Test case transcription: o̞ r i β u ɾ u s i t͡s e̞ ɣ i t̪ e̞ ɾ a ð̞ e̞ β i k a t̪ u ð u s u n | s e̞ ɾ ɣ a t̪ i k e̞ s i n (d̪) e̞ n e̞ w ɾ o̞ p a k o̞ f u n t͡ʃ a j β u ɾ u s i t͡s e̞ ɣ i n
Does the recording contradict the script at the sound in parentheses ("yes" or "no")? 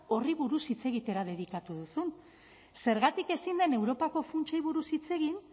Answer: no